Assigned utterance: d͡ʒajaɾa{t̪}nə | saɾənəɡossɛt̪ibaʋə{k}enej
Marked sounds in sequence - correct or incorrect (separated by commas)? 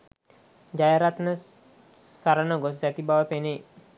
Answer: correct, incorrect